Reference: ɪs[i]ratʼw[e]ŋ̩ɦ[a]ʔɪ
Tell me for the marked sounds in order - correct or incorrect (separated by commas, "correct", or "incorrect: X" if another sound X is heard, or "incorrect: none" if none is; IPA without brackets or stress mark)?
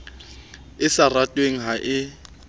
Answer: incorrect: a, correct, correct